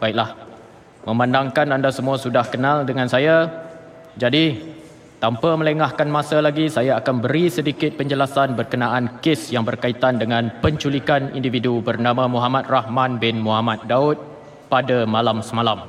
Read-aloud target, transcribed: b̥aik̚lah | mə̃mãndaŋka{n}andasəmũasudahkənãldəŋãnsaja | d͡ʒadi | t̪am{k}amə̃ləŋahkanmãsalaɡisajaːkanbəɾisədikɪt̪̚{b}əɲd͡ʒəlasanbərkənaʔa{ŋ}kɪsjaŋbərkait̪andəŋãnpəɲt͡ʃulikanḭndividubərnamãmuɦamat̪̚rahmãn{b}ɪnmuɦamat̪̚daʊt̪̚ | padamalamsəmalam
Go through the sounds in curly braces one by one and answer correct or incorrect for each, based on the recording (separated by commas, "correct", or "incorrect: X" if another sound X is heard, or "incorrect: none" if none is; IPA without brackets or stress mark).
correct, incorrect: p, incorrect: p, incorrect: n, correct